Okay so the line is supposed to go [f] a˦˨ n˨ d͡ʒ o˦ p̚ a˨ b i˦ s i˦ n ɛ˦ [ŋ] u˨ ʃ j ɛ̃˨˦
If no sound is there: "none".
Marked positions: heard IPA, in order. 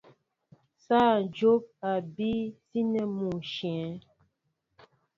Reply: s, m

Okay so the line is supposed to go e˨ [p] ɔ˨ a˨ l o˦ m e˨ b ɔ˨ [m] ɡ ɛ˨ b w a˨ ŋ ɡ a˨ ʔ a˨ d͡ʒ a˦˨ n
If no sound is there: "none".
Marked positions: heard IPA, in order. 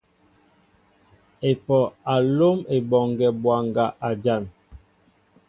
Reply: p, ŋ

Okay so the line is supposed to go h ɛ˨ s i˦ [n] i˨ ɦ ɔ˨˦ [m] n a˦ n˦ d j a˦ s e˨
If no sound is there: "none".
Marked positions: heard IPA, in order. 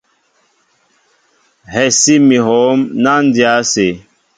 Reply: m, m

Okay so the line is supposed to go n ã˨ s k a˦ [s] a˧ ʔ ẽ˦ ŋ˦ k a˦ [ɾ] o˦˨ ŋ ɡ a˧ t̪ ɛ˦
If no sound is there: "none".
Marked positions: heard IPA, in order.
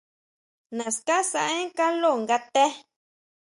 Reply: s, l

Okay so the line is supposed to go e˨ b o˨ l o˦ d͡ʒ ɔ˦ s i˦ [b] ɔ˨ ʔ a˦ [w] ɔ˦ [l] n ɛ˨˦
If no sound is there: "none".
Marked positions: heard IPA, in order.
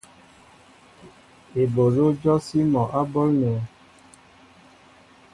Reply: m, b, l

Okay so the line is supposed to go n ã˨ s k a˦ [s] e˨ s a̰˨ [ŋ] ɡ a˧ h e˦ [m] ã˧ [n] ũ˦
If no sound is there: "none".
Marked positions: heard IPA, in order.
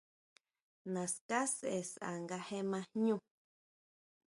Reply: s, ŋ, m, ɲ

